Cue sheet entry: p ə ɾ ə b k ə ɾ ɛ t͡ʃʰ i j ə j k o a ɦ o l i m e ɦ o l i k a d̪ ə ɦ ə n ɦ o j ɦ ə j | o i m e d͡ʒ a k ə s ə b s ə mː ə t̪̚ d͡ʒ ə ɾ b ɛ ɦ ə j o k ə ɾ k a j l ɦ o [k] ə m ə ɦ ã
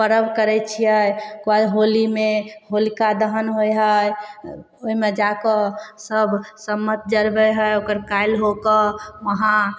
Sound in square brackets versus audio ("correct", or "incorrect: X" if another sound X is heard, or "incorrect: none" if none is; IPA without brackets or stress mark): correct